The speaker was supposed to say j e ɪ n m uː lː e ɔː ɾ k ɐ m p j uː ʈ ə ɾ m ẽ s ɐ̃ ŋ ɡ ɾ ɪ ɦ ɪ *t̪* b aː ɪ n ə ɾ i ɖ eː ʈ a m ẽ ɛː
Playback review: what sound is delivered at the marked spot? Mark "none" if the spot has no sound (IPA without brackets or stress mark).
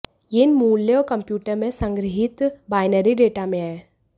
t̪